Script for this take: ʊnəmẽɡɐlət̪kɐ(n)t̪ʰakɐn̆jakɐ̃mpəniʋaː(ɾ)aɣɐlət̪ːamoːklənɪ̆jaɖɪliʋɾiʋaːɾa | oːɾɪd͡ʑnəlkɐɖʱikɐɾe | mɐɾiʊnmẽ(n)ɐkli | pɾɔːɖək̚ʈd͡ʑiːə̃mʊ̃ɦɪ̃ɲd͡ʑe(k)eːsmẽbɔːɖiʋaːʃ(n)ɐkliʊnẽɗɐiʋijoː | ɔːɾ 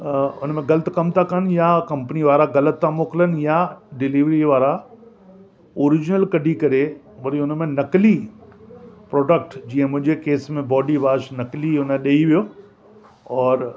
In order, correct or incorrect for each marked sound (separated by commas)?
incorrect, correct, correct, correct, correct